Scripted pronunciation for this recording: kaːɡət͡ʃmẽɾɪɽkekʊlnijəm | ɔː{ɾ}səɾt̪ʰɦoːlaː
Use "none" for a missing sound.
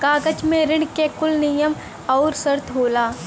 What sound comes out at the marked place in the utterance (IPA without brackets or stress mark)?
ɾ